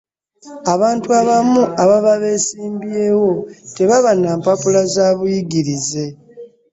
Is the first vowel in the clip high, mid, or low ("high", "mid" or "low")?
low